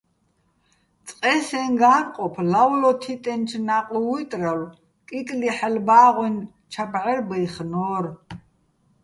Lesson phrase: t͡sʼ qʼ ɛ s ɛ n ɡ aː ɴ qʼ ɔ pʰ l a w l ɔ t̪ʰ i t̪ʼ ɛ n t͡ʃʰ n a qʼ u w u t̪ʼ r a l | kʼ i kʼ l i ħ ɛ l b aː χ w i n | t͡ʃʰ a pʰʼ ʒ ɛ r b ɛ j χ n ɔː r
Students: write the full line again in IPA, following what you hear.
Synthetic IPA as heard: t͡sʼ qʼ ɛ s ɛ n ɡ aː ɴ qʼ ɔ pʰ l a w l ɔ t̪ʰ i t̪ʼ ɛ n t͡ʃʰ n a qʼ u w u t̪ʼ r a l | kʼ i kʼ l i ħ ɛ l b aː ʁ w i n | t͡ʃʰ a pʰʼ ʕ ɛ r b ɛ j χ n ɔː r